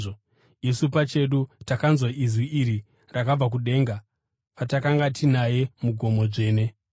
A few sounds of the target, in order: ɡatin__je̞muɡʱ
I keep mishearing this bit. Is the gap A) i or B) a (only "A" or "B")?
B